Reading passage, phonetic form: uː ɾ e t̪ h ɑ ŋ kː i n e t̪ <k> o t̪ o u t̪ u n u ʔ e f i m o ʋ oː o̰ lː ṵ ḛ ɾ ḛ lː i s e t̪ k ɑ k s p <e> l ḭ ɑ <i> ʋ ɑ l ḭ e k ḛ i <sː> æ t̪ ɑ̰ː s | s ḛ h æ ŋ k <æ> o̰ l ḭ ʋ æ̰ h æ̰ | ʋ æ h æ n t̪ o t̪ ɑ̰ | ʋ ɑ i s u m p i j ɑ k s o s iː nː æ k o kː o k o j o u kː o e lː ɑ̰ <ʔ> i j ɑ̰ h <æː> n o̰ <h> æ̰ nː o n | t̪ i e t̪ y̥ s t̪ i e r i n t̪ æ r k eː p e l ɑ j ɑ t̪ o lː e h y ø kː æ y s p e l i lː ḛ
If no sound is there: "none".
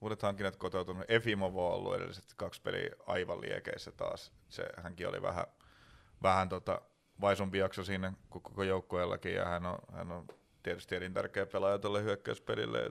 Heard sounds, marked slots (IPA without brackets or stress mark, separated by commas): k, e, i, sː, i, k, æ, h